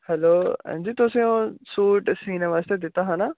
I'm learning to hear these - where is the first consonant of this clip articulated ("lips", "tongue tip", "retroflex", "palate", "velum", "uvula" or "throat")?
throat